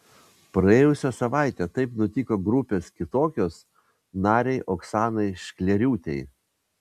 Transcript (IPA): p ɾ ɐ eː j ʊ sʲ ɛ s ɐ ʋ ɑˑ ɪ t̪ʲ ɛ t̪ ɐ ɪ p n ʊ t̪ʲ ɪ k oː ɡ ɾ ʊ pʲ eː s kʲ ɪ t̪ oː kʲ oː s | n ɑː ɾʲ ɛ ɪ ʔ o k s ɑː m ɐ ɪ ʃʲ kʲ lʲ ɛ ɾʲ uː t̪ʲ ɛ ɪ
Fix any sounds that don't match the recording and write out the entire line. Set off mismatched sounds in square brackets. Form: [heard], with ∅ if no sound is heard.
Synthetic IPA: p ɾ ɐ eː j ʊ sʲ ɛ s ɐ ʋ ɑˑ ɪ t̪ʲ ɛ t̪ ɐ ɪ p n ʊ t̪ʲ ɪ k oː ɡ ɾ ʊ pʲ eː s kʲ ɪ t̪ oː kʲ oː s | n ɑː ɾʲ ɛ ɪ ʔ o k s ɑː [n] ɐ ɪ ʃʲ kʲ lʲ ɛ ɾʲ uː t̪ʲ ɛ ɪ

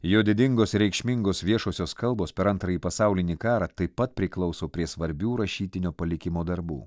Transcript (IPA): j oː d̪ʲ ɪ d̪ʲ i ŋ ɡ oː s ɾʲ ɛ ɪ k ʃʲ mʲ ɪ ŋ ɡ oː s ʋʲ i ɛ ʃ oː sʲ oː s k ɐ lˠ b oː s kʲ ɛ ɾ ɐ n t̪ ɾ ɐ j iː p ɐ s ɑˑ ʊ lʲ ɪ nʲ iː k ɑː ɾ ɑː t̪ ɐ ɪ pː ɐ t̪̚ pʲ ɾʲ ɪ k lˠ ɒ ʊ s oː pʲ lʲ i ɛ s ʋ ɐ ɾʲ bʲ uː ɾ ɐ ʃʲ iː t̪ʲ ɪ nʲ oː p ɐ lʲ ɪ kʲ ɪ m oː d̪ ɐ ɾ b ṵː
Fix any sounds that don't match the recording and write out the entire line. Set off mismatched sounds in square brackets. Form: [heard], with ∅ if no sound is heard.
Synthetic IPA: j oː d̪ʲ ɪ d̪ʲ [ɪ] ŋ ɡ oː s ɾʲ ɛ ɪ k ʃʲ mʲ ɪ ŋ ɡ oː s ʋʲ i ɛ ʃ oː sʲ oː s k ɐ lˠ b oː s [pʲ] ɛ ɾ ɐ n t̪ ɾ ɐ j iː p ɐ s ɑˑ ʊ lʲ ɪ nʲ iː k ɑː ɾ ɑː t̪ ɐ ɪ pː ɐ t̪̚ pʲ ɾʲ ɪ k lˠ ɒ ʊ s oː pʲ [ɾʲ] i ɛ s ʋ ɐ ɾʲ bʲ uː ɾ ɐ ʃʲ iː t̪ʲ ɪ nʲ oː p ɐ lʲ ɪ kʲ ɪ m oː d̪ ɐ ɾ b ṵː

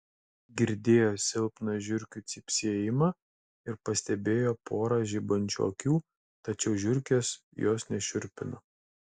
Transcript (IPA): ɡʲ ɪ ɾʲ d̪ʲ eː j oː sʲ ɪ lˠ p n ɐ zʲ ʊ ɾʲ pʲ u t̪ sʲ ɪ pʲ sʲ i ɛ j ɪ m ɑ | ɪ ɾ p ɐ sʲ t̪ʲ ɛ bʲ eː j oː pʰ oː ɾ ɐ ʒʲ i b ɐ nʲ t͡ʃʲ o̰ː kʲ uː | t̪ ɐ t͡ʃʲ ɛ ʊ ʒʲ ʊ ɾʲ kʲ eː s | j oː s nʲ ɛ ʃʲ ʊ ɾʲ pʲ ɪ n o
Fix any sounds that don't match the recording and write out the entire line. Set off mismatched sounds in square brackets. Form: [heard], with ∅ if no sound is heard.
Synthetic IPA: ɡʲ ɪ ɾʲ d̪ʲ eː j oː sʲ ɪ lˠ p n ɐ [ʒʲ] ʊ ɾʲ [kʲ] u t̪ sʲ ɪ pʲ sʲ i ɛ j ɪ m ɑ | ɪ ɾ p ɐ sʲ t̪ʲ ɛ bʲ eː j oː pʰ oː ɾ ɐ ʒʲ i b ɐ nʲ t͡ʃʲ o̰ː kʲ uː | t̪ ɐ t͡ʃʲ ɛ ʊ ʒʲ ʊ ɾʲ kʲ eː s | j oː s nʲ ɛ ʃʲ ʊ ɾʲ pʲ ɪ n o

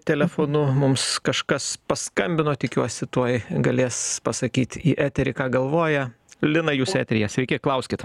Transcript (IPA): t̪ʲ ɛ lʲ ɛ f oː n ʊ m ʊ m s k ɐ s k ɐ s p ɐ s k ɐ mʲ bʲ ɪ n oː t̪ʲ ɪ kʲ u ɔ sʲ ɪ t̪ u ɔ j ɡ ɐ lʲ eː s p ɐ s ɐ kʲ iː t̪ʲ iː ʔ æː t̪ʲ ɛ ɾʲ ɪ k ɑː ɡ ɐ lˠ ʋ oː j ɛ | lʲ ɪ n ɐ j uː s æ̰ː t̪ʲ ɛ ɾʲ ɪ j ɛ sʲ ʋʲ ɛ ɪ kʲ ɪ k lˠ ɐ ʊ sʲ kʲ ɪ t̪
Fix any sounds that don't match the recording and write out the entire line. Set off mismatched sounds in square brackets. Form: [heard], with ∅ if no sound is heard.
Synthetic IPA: t̪ʲ ɛ lʲ ɛ f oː n ʊ m ʊ m s k ɐ [ʃ] k ɐ s p ɐ s k ɐ mʲ bʲ ɪ n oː t̪ʲ ɪ kʲ u ɔ sʲ ɪ t̪ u ɔ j ɡ ɐ lʲ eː s p ɐ s ɐ kʲ iː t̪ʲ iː ʔ æː t̪ʲ ɛ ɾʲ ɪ k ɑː ɡ ɐ lˠ ʋ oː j ɛ | lʲ ɪ n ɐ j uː s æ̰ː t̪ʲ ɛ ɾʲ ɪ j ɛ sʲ ʋʲ ɛ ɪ kʲ ɪ k lˠ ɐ ʊ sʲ kʲ ɪ t̪

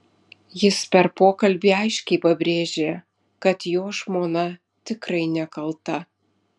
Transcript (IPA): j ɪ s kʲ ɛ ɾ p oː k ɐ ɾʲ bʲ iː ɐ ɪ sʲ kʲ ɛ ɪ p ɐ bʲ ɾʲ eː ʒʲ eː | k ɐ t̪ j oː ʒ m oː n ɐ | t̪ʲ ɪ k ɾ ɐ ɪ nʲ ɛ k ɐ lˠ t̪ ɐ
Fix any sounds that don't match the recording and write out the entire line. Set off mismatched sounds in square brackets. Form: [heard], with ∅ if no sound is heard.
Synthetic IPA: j ɪ s [pʲ] ɛ ɾ p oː k ɐ [lʲ] bʲ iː ɐ ɪ [ʃʲ] kʲ ɛ ɪ p ɐ bʲ ɾʲ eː ʒʲ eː | k ɐ t̪ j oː ʒ m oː n ɐ | t̪ʲ ɪ k ɾ ɐ ɪ nʲ ɛ k ɐ lˠ t̪ ɐ

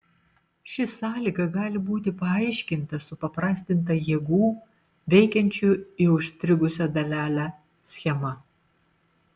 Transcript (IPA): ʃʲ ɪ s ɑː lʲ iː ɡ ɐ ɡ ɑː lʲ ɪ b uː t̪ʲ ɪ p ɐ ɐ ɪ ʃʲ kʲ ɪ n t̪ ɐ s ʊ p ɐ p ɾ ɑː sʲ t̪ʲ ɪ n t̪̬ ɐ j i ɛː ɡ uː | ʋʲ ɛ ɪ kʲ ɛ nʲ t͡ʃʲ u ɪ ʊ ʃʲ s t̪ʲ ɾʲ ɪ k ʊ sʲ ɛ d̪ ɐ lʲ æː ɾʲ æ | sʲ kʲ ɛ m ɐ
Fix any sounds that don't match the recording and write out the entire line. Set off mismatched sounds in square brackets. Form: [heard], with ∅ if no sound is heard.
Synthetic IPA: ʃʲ ɪ s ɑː lʲ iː ɡ ɐ ɡ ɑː lʲ ɪ b uː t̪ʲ ɪ p ɐ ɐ ɪ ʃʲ kʲ ɪ n t̪ ɐ s ʊ p ɐ p ɾ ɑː sʲ t̪ʲ ɪ n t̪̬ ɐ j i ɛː ɡ uː | ʋʲ ɛ ɪ kʲ ɛ nʲ t͡ʃʲ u ɪ ʊ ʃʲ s t̪ʲ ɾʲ ɪ [ɡ] ʊ sʲ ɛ d̪ ɐ lʲ æː [lʲ] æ | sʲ [xʲ] ɛ m ɐ

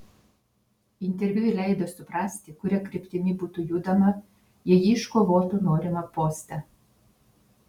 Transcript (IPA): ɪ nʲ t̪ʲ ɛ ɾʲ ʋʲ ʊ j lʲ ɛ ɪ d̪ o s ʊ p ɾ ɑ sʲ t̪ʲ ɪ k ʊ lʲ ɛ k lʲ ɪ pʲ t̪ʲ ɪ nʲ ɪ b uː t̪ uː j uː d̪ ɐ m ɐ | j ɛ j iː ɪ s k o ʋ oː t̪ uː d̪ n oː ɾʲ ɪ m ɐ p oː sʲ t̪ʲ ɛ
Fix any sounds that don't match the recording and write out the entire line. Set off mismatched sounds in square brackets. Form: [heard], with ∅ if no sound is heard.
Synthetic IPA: ɪ nʲ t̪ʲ ɛ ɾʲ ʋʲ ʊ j lʲ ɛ ɪ d̪ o s ʊ p ɾ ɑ sʲ t̪ʲ ɪ k ʊ [ɾʲ] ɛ k [ɾʲ] ɪ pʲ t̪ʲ ɪ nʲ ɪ b uː t̪ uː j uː d̪ ɐ m ɐ | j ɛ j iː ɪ [ʃ] k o ʋ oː t̪ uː [∅] n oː ɾʲ ɪ m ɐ p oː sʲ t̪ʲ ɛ

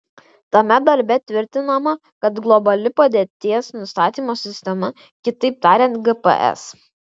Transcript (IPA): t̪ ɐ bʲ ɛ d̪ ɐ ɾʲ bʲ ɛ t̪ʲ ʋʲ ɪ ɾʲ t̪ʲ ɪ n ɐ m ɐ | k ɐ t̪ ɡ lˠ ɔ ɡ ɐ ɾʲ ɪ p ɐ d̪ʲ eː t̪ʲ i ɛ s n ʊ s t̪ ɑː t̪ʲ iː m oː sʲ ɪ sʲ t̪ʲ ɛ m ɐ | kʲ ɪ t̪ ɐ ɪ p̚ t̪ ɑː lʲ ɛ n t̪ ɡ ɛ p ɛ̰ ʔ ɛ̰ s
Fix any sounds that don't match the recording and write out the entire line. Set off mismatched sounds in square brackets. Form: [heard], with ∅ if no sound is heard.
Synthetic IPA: t̪ ɐ [mʲ] ɛ d̪ ɐ ɾʲ bʲ ɛ t̪ʲ ʋʲ ɪ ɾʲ t̪ʲ ɪ n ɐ m ɐ | k ɐ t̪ ɡ lˠ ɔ [b] ɐ [lʲ] ɪ p ɐ d̪ʲ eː t̪ʲ i ɛ s n ʊ s t̪ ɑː t̪ʲ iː m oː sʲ ɪ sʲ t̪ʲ ɛ m ɐ | kʲ ɪ t̪ ɐ ɪ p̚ t̪ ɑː [ɾʲ] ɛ n t̪ ɡ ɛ p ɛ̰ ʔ ɛ̰ s

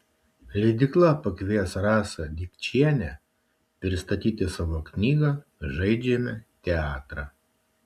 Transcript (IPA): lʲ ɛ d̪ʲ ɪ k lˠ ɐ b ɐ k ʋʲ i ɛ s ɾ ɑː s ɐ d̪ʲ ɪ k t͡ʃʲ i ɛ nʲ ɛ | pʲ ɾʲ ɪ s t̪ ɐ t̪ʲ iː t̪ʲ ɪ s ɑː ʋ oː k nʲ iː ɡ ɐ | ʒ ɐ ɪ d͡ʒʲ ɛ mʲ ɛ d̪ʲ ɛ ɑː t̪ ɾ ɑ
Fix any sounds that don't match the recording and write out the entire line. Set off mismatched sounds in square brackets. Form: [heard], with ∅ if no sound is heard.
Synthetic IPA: lʲ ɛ d̪ʲ ɪ k lˠ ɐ [p] ɐ k ʋʲ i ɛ s ɾ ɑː s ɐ d̪ʲ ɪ k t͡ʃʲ i ɛ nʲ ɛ | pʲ ɾʲ ɪ s t̪ ɐ t̪ʲ iː t̪ʲ ɪ s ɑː ʋ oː k nʲ iː ɡ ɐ | ʒ ɐ ɪ d͡ʒʲ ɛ mʲ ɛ [t̪ʲ] ɛ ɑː t̪ ɾ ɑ

